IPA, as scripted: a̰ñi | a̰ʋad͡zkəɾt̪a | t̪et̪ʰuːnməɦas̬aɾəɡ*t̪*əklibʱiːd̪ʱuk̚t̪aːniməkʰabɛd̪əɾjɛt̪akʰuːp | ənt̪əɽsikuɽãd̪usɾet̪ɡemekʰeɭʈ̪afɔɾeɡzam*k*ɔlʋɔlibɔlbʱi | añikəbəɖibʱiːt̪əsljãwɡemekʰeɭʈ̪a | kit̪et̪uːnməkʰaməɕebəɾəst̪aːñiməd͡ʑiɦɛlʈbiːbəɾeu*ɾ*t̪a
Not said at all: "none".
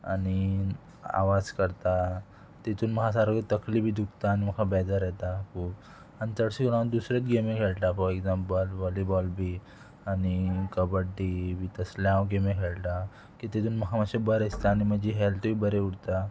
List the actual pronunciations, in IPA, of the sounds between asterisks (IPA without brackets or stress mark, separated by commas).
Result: t̪, p, ɽ